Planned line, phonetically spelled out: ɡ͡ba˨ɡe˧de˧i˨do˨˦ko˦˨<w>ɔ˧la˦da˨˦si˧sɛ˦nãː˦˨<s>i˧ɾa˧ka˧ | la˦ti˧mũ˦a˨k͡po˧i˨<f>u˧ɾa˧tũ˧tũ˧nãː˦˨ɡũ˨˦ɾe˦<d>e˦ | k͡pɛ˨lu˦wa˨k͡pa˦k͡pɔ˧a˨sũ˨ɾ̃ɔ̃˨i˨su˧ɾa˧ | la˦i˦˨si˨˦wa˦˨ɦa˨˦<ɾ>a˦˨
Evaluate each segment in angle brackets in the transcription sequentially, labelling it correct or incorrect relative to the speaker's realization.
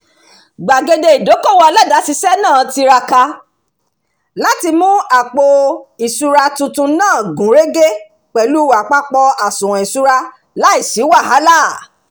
correct, incorrect: t, incorrect: s, incorrect: ɡ, incorrect: l

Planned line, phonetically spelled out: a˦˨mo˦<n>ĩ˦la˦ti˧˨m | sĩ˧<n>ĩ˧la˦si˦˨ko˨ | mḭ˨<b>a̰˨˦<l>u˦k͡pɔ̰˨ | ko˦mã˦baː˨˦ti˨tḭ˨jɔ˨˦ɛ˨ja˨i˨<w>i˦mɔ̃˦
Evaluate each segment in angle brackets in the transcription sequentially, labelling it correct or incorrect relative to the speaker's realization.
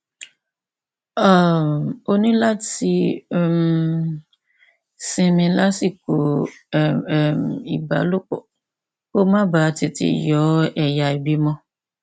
correct, incorrect: m, correct, correct, incorrect: b

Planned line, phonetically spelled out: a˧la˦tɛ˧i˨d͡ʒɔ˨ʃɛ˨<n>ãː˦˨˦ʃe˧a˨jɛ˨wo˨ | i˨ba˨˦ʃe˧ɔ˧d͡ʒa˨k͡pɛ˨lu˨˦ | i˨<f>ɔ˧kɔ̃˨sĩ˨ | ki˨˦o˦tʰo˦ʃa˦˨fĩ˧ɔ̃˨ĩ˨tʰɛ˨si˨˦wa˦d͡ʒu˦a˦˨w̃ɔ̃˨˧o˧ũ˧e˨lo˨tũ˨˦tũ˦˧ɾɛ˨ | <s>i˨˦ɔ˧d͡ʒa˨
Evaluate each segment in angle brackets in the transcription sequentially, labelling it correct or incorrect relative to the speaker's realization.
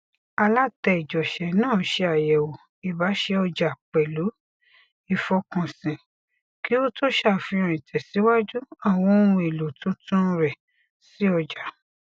correct, correct, correct

